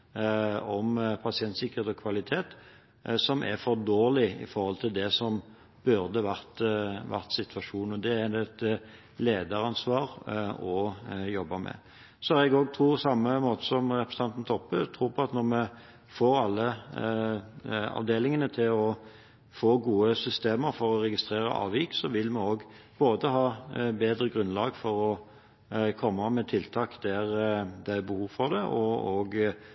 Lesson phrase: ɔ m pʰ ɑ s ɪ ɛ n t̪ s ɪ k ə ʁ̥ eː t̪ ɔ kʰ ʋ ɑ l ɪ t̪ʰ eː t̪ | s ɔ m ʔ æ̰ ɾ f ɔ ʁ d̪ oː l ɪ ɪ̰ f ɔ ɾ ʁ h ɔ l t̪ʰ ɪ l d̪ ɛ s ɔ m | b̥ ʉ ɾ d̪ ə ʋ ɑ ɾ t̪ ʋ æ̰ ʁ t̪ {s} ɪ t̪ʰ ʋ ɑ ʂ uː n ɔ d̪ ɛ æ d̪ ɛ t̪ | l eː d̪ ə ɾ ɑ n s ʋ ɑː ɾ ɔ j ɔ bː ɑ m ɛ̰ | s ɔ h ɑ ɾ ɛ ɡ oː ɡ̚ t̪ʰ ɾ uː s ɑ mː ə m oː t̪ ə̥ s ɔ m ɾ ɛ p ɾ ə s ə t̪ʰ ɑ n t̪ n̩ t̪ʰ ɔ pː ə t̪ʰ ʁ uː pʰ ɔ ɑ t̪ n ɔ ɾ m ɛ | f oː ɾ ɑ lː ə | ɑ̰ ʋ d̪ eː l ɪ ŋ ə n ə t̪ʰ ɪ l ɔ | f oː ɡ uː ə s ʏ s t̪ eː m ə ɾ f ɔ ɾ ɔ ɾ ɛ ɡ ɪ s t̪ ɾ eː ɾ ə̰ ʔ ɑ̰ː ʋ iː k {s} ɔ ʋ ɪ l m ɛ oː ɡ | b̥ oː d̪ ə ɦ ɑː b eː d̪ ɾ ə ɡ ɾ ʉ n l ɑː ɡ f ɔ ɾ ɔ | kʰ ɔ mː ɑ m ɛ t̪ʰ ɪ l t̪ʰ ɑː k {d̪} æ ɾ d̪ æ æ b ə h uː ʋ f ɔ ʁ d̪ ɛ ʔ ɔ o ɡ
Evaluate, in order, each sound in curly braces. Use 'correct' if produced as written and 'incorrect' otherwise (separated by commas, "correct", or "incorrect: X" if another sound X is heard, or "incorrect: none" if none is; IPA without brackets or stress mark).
correct, correct, correct